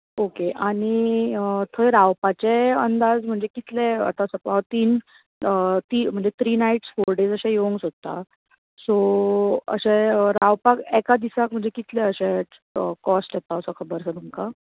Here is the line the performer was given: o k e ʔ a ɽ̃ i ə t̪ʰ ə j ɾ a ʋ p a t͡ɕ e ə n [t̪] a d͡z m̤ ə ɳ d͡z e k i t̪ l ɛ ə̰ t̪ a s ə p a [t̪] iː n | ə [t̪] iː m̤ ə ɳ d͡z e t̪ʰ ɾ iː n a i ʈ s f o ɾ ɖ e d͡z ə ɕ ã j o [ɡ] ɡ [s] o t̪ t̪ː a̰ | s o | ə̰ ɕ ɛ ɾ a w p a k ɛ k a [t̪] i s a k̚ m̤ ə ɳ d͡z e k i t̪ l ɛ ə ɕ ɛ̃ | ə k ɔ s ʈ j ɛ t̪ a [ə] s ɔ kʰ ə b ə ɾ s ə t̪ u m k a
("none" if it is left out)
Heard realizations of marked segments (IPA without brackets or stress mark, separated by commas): d̪, t̪, t̪, ŋ, s, d̪, ə